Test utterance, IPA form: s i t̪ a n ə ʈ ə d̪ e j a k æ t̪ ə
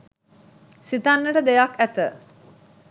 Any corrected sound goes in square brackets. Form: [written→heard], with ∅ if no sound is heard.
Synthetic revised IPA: s i t̪ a [n→nː] ə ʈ ə d̪ e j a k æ t̪ ə